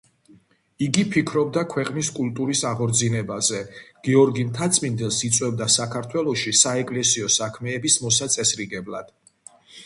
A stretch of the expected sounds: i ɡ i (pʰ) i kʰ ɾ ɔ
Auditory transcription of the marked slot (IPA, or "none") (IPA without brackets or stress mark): pʰ